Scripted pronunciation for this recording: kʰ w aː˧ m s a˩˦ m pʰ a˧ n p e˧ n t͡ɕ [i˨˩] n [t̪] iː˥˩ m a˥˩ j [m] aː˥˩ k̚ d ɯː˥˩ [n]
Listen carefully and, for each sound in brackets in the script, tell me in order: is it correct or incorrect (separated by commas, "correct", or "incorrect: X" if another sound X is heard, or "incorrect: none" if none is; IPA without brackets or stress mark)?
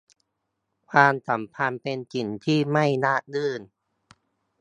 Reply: correct, incorrect: t̪ʰ, incorrect: n, correct